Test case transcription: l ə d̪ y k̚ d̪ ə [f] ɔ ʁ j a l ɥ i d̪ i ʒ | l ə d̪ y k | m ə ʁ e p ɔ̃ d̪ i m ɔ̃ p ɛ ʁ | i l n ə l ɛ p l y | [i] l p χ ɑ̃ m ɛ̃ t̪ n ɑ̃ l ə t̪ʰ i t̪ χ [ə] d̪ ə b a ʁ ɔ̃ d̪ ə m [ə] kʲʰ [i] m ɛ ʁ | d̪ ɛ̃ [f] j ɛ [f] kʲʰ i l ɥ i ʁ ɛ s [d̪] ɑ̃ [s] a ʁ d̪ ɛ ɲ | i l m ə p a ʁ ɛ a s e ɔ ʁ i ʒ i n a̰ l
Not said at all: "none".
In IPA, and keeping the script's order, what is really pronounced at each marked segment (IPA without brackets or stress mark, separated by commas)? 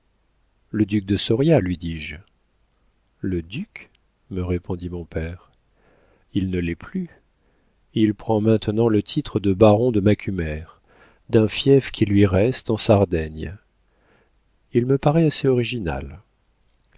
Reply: s, i, ə, a, y, f, f, t̪, s